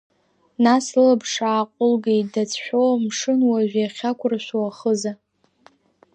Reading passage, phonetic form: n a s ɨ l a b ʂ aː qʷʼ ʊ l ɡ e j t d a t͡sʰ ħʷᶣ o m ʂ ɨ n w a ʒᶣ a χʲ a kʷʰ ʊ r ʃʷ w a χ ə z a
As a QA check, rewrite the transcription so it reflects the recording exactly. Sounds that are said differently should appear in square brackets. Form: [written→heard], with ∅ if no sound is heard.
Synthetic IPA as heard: n a s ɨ l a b ʂ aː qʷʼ ʊ l ɡ e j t d a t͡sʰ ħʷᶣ o m ʂ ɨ n w a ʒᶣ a χʲ a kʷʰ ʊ r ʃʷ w a χ ə z a